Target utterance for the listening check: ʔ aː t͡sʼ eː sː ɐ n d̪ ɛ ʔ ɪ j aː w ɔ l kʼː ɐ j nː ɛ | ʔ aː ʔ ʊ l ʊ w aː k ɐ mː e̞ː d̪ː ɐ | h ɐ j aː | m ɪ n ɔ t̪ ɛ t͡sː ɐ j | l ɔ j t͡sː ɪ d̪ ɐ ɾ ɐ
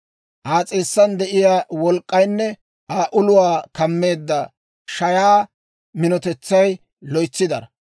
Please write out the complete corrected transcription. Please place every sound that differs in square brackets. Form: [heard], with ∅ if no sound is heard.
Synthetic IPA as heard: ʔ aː t͡sʼ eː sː ɐ n d̪ ɛ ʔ ɪ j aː w ɔ l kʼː ɐ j nː ɛ | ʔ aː ʔ ʊ l ʊ w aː k ɐ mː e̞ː d̪ː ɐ | [ʃ] ɐ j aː | m ɪ n ɔ t̪ ɛ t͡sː ɐ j | l ɔ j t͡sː ɪ d̪ ɐ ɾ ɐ